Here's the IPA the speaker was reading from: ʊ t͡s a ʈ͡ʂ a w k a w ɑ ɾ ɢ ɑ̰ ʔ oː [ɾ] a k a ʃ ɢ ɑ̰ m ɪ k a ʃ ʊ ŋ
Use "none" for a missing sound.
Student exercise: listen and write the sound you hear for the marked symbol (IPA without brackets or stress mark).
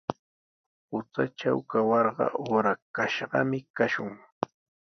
ɾ